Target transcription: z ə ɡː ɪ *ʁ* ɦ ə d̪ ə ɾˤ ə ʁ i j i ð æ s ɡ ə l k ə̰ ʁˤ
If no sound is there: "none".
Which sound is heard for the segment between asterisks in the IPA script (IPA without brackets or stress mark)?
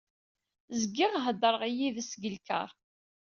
ʁ